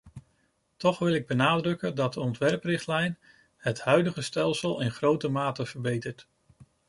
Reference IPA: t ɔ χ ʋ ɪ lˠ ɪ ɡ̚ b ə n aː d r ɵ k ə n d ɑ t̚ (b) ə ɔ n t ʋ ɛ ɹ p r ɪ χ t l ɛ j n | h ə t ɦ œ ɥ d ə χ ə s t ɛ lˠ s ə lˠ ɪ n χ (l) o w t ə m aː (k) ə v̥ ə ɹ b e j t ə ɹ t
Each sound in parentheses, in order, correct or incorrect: incorrect: d, incorrect: r, incorrect: t

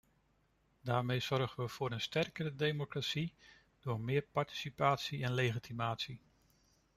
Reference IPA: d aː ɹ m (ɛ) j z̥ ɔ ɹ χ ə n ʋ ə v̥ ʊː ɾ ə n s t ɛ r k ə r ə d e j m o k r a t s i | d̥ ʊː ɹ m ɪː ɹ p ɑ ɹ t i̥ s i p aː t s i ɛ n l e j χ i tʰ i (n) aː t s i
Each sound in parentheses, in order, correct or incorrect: incorrect: e, incorrect: m

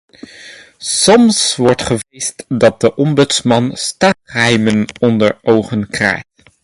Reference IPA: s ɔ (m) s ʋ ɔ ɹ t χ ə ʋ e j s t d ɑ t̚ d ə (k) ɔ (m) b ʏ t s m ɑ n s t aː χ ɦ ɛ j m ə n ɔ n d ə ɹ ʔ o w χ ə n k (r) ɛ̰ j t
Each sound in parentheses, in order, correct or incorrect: correct, incorrect: ʔ, correct, correct

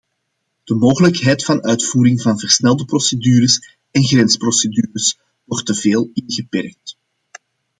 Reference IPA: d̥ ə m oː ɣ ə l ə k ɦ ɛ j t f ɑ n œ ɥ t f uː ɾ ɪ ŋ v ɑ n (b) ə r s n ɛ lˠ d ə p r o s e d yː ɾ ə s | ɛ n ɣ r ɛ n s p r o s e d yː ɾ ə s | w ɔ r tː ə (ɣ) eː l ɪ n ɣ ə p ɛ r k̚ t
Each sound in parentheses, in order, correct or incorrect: incorrect: v, incorrect: v

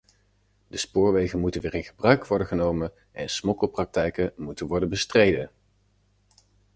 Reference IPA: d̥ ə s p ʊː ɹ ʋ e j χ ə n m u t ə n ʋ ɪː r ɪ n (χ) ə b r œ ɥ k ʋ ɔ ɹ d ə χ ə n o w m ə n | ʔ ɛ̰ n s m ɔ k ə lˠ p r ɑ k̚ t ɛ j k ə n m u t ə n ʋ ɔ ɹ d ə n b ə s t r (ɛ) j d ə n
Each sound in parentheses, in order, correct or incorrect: correct, incorrect: e

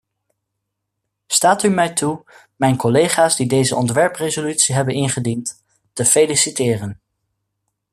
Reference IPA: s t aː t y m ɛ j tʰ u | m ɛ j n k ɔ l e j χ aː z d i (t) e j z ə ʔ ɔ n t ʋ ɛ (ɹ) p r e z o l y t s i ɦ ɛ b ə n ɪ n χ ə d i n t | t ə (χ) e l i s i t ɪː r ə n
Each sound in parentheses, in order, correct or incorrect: incorrect: d, correct, incorrect: f

